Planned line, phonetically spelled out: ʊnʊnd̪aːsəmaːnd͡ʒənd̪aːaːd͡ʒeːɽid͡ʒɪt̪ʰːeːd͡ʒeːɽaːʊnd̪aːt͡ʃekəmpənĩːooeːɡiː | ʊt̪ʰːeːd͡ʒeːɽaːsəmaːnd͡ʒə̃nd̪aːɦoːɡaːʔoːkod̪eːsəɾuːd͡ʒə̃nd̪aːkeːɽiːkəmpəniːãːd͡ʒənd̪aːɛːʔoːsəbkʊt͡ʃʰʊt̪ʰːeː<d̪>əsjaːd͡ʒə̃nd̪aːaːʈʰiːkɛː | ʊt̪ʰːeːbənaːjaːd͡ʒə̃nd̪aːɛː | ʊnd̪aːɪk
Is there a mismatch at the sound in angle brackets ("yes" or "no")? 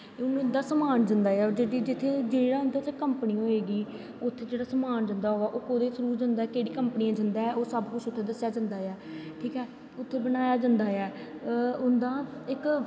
no